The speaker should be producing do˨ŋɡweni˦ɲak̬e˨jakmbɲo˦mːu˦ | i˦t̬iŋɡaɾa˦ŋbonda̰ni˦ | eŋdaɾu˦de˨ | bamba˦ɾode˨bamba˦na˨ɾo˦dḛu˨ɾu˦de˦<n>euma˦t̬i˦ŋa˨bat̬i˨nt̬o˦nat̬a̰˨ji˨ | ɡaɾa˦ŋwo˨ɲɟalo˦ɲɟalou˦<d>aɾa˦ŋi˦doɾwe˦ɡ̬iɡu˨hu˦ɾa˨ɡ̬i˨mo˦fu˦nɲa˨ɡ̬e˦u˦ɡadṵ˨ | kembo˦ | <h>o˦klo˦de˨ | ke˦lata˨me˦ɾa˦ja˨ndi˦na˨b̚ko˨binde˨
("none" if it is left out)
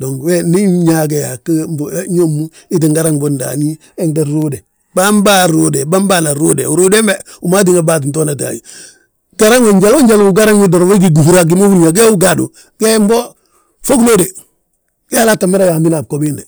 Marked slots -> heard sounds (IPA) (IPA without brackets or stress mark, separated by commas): m, ɡ, f